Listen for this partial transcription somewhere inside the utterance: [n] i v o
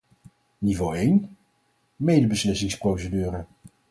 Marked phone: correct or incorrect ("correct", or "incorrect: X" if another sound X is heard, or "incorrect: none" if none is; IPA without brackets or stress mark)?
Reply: correct